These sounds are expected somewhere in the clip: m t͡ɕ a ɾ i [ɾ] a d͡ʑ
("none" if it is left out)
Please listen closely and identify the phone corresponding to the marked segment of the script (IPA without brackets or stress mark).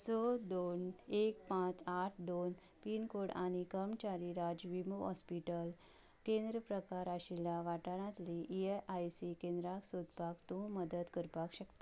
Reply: ɾ